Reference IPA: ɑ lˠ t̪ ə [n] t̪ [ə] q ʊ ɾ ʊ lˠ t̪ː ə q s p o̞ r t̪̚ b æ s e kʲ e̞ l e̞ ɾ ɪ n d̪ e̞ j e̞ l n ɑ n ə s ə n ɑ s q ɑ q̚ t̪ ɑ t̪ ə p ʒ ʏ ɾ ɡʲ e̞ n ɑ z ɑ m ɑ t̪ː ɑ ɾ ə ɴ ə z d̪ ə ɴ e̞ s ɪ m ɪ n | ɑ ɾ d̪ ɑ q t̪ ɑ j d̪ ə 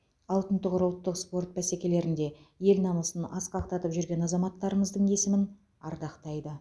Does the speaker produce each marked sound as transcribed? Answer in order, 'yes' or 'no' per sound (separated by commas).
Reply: yes, yes